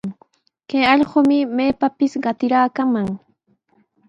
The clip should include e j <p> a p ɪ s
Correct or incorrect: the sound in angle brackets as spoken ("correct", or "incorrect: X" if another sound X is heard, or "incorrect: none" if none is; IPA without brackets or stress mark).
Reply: correct